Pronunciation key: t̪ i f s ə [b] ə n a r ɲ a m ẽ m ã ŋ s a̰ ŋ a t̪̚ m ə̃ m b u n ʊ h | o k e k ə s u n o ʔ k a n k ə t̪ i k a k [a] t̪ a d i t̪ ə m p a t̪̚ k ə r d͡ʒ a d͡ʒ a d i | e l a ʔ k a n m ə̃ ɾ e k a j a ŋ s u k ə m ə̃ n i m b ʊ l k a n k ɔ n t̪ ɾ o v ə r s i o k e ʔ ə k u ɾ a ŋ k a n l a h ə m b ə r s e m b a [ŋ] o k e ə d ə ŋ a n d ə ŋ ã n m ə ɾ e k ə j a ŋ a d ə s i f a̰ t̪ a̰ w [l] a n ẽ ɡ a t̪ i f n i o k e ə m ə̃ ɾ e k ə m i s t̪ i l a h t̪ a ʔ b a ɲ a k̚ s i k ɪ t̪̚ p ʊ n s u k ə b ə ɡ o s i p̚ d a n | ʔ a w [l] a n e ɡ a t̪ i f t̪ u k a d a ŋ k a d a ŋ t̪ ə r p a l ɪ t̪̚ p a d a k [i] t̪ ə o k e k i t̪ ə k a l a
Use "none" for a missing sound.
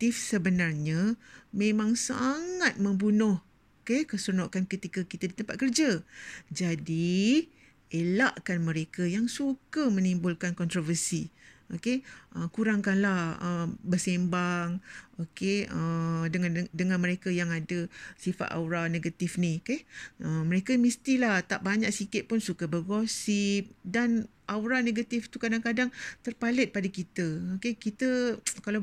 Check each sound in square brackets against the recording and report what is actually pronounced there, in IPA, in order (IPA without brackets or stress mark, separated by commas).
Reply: b, i, ŋ, ɾ, ɾ, i